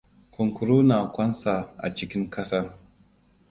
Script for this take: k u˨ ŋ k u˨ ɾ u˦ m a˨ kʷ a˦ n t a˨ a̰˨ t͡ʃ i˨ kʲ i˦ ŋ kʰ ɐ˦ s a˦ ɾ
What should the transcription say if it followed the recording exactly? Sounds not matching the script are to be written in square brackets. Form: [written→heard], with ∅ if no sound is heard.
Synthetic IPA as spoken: k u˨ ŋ k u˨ ɾ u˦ [m→n] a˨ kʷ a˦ n [t→s] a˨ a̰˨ t͡ʃ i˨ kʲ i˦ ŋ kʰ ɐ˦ s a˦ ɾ